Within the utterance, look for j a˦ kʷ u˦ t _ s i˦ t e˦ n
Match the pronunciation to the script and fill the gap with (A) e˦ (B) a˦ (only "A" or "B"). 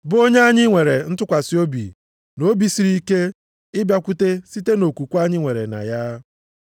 A